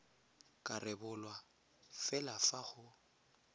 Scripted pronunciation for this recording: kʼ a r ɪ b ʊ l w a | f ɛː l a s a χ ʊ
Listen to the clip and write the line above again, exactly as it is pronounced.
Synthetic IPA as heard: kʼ a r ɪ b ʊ l w a | f ɛ l a f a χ ʊ